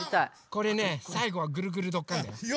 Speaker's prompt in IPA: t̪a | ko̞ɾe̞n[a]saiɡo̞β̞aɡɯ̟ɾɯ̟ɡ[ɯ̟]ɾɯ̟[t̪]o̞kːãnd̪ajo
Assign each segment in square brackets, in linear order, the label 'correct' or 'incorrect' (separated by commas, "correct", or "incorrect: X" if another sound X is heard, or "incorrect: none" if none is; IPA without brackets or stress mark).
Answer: incorrect: e, correct, incorrect: d̪